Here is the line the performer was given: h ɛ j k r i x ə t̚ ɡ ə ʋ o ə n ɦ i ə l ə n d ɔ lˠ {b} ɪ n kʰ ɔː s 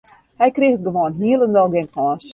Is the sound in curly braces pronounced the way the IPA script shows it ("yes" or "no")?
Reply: no